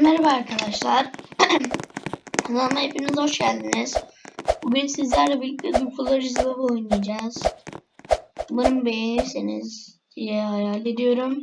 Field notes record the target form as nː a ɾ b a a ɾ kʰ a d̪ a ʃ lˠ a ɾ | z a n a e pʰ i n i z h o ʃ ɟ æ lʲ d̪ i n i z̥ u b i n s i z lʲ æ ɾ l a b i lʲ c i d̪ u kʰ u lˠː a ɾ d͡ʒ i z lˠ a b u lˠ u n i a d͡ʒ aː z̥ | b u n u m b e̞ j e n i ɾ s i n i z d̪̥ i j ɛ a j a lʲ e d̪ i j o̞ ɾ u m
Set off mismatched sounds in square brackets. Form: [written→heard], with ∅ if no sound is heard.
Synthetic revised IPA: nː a ɾ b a a ɾ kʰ a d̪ a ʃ lˠ a ɾ | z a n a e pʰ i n i z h o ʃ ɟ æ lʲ d̪ i n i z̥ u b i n s i z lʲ æ ɾ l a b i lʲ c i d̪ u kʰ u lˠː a ɾ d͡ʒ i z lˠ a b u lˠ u n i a d͡ʒ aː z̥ | b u n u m b e̞ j e n i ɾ s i n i z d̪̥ i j ɛ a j a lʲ e d̪ i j o̞ ɾ u m